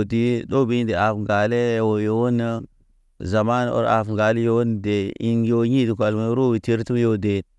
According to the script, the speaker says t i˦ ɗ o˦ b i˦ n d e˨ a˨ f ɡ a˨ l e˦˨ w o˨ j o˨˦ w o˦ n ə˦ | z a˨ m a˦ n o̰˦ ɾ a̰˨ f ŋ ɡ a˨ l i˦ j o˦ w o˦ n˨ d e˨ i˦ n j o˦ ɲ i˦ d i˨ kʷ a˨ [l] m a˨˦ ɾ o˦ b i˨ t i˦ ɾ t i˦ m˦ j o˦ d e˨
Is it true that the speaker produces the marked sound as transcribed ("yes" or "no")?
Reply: yes